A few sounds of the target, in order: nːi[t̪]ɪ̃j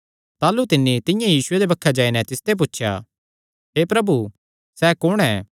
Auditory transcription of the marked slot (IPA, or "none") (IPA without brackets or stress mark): t̪